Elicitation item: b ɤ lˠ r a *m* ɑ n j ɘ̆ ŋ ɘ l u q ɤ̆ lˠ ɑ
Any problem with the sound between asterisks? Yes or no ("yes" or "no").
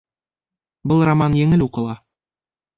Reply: no